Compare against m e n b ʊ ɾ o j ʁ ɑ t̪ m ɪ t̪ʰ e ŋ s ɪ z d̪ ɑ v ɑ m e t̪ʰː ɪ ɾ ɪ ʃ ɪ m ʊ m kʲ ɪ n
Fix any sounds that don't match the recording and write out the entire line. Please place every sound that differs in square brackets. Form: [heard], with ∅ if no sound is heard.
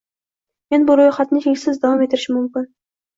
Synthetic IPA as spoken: m e n b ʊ ɾ o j [χ] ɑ t̪ [n] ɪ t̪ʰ e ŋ s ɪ z d̪ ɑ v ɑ m e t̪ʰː ɪ ɾ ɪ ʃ ɪ m ʊ m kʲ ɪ n